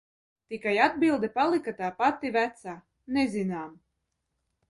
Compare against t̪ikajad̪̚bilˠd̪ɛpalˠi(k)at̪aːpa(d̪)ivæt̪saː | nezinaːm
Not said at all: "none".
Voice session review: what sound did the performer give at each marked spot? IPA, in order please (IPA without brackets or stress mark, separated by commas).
k, t̪